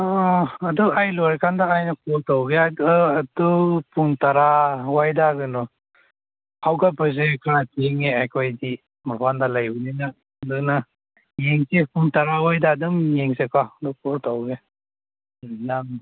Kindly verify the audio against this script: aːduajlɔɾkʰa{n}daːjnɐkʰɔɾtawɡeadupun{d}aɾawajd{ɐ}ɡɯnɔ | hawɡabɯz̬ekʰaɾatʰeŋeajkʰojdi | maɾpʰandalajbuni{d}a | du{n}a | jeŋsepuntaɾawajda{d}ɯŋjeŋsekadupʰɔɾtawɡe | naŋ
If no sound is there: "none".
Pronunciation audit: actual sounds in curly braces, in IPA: n, t, a, n, n, d

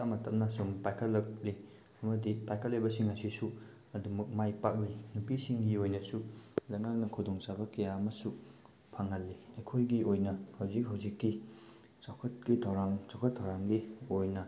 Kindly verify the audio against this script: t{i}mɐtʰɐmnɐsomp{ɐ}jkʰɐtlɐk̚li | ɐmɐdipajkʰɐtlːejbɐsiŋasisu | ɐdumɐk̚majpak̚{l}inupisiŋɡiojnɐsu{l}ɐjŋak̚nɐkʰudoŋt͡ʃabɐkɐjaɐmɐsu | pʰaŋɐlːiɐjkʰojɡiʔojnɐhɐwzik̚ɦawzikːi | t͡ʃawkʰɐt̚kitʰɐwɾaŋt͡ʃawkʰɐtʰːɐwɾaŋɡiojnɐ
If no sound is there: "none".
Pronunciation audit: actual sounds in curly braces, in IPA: a, a, l, l

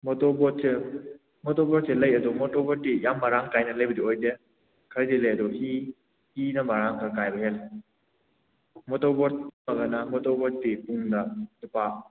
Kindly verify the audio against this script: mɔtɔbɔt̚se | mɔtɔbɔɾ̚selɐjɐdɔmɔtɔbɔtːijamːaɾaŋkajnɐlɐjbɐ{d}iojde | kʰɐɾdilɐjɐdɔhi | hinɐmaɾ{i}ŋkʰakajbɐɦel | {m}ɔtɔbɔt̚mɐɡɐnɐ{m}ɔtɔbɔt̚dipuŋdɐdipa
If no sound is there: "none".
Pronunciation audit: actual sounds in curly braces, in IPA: d, a, m, m

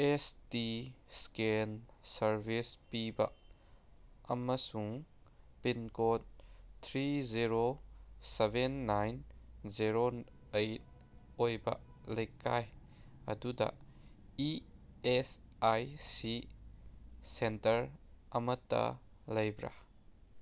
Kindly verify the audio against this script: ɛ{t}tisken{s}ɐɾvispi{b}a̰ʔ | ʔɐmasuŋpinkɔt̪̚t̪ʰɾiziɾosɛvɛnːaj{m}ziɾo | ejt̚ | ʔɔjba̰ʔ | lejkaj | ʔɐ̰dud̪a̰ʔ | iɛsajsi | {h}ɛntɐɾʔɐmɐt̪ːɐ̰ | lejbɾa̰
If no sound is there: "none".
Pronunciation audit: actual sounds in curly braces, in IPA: s, s, b, n, s

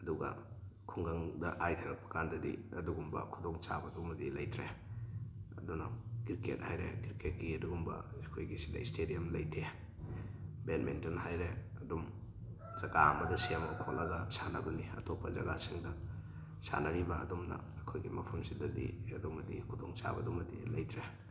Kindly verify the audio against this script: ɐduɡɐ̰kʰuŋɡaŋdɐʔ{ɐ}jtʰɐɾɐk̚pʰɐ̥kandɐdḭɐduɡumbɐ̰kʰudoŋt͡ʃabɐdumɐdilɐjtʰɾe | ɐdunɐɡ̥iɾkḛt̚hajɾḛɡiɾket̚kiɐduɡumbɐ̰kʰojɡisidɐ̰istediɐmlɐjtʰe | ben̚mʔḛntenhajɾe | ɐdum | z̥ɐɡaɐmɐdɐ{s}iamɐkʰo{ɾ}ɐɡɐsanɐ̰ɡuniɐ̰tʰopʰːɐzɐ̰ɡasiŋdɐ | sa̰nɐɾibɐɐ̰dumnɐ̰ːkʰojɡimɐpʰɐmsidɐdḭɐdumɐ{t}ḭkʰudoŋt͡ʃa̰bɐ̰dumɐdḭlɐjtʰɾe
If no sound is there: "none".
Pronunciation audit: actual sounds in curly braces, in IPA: a, s, l, d

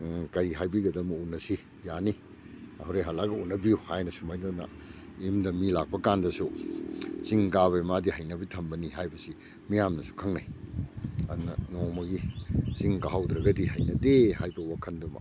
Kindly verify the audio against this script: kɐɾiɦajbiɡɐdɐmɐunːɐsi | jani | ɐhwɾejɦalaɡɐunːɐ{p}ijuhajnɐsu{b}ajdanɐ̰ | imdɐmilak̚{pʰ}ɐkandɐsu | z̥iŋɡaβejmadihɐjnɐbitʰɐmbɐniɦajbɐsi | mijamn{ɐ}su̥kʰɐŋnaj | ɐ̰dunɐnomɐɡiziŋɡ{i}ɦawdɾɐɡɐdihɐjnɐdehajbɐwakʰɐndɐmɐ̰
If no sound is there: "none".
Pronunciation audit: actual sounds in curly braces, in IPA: b, m, p, ɐ, a

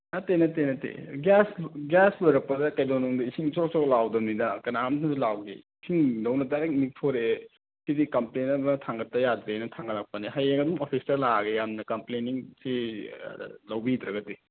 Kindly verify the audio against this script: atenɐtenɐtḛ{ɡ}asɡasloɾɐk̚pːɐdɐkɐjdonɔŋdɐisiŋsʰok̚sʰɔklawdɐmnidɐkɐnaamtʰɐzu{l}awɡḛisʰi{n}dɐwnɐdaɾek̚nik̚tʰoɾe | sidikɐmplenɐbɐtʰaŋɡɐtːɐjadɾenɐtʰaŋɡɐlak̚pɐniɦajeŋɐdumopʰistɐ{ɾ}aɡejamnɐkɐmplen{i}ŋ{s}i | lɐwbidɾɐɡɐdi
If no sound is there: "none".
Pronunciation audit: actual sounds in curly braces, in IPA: ɡ, l, ŋ, l, i, s

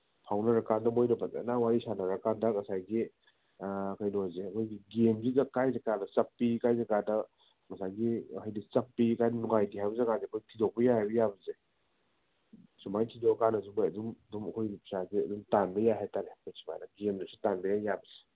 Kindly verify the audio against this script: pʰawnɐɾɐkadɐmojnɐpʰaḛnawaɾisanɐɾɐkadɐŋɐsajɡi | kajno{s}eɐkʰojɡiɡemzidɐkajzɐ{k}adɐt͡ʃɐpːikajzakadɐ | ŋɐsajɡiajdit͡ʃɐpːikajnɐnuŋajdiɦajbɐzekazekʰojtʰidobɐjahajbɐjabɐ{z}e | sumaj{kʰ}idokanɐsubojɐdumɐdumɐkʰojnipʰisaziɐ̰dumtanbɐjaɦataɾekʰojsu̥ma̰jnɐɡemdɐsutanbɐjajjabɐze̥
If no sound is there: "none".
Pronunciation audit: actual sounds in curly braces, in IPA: z, k, z, tʰ

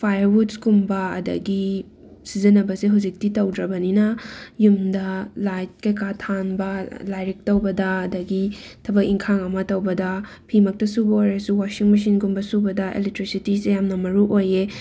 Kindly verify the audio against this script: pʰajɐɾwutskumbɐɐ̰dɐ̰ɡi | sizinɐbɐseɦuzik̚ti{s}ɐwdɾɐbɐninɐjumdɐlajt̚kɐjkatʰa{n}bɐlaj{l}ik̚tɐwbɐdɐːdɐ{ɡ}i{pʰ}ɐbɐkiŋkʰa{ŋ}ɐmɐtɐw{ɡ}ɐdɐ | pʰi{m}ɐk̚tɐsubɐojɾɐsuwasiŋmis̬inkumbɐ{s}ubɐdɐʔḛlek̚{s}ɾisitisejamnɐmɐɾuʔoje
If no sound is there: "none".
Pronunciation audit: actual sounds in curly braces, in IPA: t, n, ɾ, ɡ, tʰ, ŋ, b, m, s, t

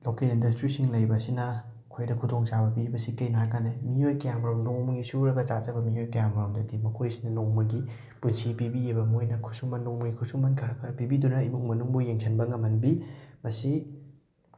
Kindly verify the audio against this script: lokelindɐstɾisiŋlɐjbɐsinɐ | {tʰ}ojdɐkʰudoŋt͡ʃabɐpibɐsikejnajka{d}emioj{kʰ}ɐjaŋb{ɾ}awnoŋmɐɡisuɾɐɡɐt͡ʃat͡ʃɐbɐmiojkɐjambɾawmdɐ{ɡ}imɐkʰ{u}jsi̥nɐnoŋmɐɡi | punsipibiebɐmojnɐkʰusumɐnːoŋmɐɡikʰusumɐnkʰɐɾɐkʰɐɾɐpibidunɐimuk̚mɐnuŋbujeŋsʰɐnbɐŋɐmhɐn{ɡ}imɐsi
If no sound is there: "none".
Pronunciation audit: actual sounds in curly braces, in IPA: kʰ, n, k, ɾ, d, o, b

